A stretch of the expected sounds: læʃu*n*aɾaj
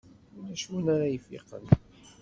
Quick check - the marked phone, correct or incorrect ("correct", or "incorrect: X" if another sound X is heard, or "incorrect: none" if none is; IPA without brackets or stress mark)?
correct